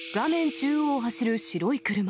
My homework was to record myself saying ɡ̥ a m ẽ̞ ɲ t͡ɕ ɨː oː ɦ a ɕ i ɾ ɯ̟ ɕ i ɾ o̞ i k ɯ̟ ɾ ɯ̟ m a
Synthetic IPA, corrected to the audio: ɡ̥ a m ẽ̞ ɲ t͡ɕ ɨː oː ɦ a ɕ i ɾ ɯ̟ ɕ i ɾ o̞ i k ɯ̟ ɾ ɯ̟ m a